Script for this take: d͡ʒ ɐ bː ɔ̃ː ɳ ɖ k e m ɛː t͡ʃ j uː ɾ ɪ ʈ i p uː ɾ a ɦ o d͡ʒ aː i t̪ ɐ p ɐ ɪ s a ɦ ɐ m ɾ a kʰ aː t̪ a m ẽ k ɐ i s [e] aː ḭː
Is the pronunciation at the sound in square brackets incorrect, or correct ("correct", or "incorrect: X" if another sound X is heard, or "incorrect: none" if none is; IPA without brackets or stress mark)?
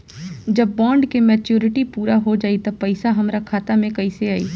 correct